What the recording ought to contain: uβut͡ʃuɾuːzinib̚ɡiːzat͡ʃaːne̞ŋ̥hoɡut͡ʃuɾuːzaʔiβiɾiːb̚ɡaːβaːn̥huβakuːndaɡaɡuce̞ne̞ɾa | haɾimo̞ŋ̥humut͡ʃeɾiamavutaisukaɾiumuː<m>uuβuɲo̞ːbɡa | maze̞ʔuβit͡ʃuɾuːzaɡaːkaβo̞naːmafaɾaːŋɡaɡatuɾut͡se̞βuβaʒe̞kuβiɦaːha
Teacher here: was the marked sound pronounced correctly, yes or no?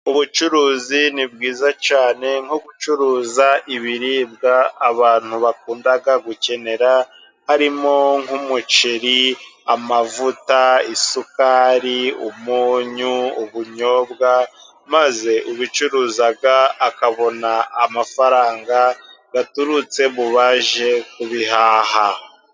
no